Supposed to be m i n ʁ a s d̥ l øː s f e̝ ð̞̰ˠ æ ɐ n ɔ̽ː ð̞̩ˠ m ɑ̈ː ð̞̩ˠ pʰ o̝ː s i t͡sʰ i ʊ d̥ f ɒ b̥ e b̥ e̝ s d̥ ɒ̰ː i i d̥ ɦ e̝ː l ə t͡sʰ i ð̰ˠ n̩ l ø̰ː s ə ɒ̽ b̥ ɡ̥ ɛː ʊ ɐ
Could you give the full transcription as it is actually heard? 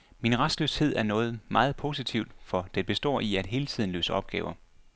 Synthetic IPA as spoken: m i n ʁ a s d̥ l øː s h e̝ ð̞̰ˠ æ ɐ n ɔ̽ː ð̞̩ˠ m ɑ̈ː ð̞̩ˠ pʰ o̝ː s i t͡sʰ i ʊ d̥ f ɒ d̥ e b̥ e̝ s d̥ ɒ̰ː i æ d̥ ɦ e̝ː l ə t͡sʰ i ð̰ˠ n̩ l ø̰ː s ə ɒ̽ b̥ ɡ̥ ɛː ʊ ɐ

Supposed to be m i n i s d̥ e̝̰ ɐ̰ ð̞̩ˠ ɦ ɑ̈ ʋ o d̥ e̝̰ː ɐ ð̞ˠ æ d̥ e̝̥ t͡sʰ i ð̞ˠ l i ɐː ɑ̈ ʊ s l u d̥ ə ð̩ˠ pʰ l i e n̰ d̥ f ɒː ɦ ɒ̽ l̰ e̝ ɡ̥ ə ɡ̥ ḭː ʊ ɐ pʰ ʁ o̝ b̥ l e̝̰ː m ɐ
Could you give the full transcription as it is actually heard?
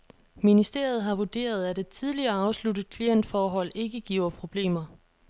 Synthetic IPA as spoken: m i n i s d̥ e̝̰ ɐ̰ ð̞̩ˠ ɦ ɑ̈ ʋ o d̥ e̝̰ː ɐ ð̞ˠ æ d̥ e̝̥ t͡sʰ i ð̞ˠ l i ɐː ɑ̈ ʊ s l u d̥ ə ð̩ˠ kʰ l i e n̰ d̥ f ɒː ɦ ɒ̽ l̰ e̝ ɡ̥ ə ɡ̥ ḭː ʊ ɐ pʰ ʁ o̝ b̥ l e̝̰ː m ɐ

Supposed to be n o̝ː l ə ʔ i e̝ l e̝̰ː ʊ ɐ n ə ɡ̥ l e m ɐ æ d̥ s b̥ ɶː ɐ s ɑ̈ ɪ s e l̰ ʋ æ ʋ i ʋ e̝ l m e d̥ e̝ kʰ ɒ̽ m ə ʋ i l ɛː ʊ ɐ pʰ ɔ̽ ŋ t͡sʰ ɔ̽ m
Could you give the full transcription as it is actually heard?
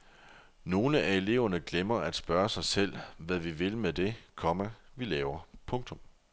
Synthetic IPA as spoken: n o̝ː l ə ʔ æ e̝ l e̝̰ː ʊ ɐ n ə ɡ̥ l e m ɐ æ d̥ s b̥ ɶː ɐ s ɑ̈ ɪ s e l̰ ʋ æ ʋ i ʋ e̝ l m e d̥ e̝ kʰ ɒ̽ m ə ʋ i l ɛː ʊ ɐ pʰ ɔ̽ ŋ t͡sʰ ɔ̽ m

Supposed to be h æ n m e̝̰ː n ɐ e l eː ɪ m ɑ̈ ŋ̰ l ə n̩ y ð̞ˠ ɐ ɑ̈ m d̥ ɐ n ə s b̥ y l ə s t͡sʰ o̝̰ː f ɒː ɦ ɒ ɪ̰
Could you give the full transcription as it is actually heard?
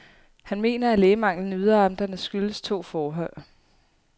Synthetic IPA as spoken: h æ n m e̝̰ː n ɐ æ l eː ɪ m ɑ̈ ŋ̰ l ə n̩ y ð̞ˠ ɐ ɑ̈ m d̥ ɐ n ə s ɡ̥ y l ə s t͡sʰ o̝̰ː f ɒː ɦ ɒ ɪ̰

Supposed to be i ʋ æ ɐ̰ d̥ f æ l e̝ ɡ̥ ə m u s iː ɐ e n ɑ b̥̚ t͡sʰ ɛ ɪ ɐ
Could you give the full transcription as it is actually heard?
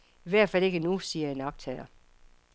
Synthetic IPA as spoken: i ʋ æ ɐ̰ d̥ f æ l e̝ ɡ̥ ə n u s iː ɐ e n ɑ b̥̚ t͡sʰ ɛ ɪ ɐ

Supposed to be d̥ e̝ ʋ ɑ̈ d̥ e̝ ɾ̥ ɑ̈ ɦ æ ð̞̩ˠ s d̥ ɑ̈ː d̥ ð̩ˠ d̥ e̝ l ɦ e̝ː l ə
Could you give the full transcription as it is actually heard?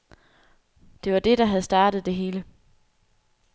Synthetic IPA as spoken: d̥ e̝ ʋ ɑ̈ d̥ e̝ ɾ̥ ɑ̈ ɦ æ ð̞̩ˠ s d̥ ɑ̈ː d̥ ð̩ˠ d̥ e̝ ɦ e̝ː l ə

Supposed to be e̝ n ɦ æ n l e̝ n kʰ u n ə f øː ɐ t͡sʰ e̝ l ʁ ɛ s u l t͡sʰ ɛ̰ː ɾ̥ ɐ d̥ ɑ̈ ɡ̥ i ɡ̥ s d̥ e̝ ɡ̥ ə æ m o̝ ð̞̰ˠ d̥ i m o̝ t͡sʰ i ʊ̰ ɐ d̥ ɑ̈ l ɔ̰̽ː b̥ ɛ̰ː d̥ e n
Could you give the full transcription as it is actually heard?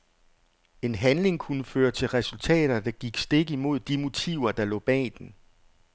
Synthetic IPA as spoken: e̝ n ɦ æ n l e̝ ŋ kʰ u n ə f øː ɐ t͡sʰ e̝ l ʁ ɛ s u l t͡sʰ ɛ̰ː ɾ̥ ɐ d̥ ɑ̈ ɡ̥ i ɡ̥ s d̥ e̝ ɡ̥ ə i m o̝ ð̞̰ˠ d̥ i m o̝ t͡sʰ i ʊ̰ ɐ d̥ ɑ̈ l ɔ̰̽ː b̥ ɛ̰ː d̥ e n

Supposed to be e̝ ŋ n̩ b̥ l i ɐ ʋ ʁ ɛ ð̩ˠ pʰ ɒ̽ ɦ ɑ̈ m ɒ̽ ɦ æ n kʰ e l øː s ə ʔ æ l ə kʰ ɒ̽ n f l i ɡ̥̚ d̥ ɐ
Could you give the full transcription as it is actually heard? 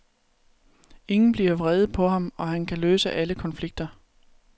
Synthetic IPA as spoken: e̝ ŋ n̩ b̥ l i ɐ ʋ ʁ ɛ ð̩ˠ pʰ ɒ̽ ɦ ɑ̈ m ɒ̽ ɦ æ n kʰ æ l øː s ə ʔ æ l ə kʰ ɒ̽ n f l i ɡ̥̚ d̥ ɐ

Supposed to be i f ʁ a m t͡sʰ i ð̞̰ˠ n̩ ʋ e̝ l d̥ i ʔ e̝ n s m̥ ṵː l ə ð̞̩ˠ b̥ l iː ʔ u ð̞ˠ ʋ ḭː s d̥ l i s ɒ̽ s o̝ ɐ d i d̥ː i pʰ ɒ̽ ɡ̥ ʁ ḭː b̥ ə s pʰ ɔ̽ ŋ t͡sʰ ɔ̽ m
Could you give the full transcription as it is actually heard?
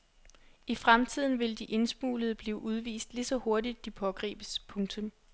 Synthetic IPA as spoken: i f ʁ a m t͡sʰ i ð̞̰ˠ n̩ ʋ e̝ l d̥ i ʔ e̝ n s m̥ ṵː l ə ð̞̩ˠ b̥ l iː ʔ u ð̞ˠ ʋ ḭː s d̥ l i s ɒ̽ h o̝ ɐ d i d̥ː i pʰ ɒ̽ ɡ̥ ʁ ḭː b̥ ə s pʰ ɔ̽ ŋ t͡sʰ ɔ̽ m

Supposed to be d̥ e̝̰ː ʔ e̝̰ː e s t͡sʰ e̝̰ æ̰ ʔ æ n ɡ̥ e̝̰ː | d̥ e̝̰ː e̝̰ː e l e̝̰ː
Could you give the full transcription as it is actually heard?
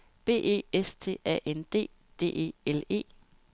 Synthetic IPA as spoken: b̥ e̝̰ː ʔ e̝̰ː e s t͡sʰ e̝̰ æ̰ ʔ e n d̥ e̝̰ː | d̥ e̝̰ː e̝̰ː e l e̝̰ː

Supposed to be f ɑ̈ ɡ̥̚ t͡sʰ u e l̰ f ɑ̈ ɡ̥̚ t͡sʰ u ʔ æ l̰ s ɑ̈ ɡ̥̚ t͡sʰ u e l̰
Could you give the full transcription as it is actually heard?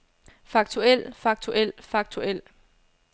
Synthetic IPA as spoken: f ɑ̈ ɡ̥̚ t͡sʰ u e l̰ f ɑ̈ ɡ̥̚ t͡sʰ u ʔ e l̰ f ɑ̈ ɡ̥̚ t͡sʰ u e l̰

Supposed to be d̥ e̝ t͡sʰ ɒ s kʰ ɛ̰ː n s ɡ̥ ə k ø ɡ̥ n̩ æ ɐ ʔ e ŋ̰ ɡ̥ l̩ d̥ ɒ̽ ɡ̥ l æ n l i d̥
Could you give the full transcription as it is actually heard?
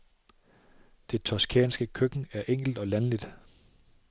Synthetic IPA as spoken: d̥ e̝ t͡sʰ ɒ s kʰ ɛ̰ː n s ɡ̥ ə kʰ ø ɡ̥ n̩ æ ɐ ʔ e ŋ̰ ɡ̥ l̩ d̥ ɒ̽ l æ n l i d̥

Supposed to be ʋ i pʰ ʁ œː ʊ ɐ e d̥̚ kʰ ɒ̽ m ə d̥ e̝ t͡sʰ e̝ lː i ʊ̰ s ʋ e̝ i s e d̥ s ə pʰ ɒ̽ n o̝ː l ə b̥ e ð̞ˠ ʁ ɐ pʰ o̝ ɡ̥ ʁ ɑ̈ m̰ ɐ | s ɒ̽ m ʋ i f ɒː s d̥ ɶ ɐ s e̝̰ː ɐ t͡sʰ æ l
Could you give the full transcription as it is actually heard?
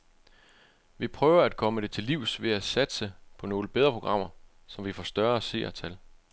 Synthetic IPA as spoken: ʋ i pʰ ʁ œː ʊ ɐ æ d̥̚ kʰ ɒ̽ m ə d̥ e̝ t͡sʰ e̝ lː i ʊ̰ s ʋ e̝ æ s æ d̥ s ə pʰ ɒ̽ n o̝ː l ə b̥ e ð̞ˠ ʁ ɐ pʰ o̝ ɡ̥ ʁ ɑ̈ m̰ ɐ | s ɒ̽ m ʋ i f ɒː s d̥ ɶ ɐ s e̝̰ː ɐ t͡sʰ æ l

